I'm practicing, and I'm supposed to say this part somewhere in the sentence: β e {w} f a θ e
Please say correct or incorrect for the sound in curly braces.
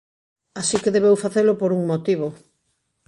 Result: correct